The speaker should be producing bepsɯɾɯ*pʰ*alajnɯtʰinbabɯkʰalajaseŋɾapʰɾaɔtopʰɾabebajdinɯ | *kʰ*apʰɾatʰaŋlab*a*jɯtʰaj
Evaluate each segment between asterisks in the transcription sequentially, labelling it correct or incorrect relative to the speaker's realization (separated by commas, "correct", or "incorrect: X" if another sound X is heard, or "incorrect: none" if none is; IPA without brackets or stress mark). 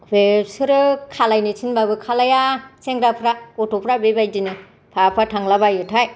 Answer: incorrect: kʰ, incorrect: pʰ, correct